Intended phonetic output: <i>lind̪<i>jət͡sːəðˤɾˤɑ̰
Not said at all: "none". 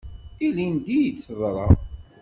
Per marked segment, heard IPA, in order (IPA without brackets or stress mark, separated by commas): i, i